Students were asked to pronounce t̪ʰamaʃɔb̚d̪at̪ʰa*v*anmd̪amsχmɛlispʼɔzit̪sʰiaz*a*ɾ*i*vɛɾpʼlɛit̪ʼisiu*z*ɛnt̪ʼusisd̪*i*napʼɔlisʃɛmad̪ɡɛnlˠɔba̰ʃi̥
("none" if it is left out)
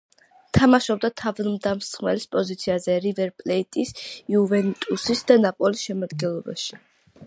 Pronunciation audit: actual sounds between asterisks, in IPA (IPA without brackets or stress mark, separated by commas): v, ɛ, i, v, a